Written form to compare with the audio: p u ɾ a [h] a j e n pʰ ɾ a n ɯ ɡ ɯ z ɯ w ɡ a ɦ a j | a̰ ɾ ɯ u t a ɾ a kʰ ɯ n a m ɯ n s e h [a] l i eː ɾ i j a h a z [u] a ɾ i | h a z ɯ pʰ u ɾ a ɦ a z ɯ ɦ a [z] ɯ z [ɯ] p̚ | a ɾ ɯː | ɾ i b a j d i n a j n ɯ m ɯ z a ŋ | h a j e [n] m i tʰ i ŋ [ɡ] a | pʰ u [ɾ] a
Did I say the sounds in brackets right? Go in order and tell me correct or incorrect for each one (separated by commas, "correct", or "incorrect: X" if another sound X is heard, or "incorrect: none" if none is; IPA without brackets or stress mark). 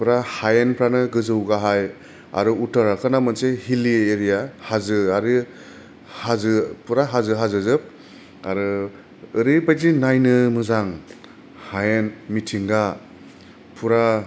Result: correct, incorrect: i, incorrect: ɯ, correct, correct, correct, correct, correct